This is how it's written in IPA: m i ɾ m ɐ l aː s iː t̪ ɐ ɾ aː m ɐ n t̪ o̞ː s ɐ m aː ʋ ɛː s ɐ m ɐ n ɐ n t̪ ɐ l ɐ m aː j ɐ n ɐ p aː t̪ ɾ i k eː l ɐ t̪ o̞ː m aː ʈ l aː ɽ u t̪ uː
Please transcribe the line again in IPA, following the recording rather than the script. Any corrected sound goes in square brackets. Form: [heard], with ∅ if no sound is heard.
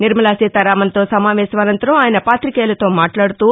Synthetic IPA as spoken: [n] i ɾ m ɐ l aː s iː t̪ ɐ ɾ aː m ɐ n t̪ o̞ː s ɐ m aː ʋ ɛː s ɐ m ɐ n ɐ n t̪ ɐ [ɾ] ɐ m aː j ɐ n ɐ p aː t̪ ɾ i k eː l ɐ t̪ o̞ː m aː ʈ l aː ɽ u t̪ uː